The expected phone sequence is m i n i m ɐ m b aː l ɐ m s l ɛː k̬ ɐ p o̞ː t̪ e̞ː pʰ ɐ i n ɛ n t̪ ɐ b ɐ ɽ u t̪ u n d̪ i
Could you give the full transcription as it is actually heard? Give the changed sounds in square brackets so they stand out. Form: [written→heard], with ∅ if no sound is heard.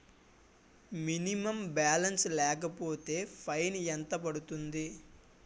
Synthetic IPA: m i n i m ɐ m b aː l ɐ [m→n] s l ɛː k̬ ɐ p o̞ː t̪ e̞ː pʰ ɐ [i→j] n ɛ n t̪ ɐ [b→p] ɐ ɽ u t̪ u n d̪ i